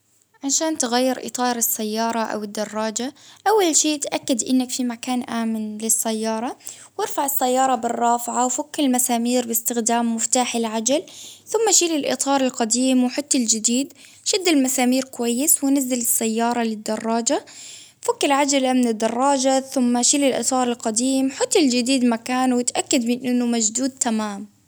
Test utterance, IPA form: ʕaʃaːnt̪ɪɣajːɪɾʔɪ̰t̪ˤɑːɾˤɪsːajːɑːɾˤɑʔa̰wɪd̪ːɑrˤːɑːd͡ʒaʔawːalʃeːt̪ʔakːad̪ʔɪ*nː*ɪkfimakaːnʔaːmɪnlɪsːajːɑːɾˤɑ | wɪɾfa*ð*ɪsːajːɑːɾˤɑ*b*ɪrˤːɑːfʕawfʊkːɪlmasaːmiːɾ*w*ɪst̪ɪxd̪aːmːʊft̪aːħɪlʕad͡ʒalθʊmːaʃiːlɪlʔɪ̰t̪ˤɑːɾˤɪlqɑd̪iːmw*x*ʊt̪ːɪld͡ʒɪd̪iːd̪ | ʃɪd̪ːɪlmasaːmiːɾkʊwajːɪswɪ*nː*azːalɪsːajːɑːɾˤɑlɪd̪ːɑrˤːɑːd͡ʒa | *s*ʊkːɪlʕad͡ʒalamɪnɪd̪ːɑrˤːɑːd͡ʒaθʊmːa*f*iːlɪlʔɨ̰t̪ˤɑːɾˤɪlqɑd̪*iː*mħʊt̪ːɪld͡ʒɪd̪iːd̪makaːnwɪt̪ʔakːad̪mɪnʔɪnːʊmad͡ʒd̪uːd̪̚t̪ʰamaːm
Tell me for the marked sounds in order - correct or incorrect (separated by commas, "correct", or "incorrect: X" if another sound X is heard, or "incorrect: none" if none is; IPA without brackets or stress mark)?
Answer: correct, incorrect: ʕ, correct, incorrect: b, incorrect: ħ, incorrect: n, incorrect: f, incorrect: ʃ, correct